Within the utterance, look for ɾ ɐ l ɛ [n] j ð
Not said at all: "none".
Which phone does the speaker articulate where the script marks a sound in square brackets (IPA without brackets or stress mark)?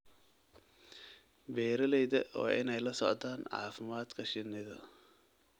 none